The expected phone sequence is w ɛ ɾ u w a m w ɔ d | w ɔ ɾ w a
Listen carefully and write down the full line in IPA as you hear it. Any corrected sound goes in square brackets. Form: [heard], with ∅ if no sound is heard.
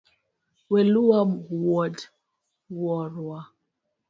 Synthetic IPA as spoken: w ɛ [l] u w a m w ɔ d | w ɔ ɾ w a